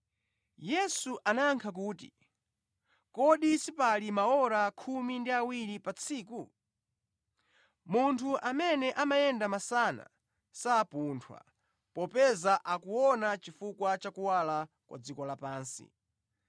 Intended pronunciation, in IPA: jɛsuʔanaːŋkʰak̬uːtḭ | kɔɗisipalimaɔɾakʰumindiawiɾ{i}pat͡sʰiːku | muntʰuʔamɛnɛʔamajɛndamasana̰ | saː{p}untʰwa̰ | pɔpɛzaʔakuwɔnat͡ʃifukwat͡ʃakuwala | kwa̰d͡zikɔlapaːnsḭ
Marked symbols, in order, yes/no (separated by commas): yes, yes